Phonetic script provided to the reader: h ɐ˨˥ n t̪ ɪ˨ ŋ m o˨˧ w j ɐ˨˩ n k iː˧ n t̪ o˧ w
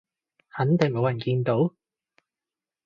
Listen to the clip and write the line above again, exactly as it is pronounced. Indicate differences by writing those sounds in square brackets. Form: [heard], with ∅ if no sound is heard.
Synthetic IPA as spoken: h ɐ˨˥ n t̪ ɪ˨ ŋ m o˨˧ w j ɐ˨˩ n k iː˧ n t̪ [o˨˥] w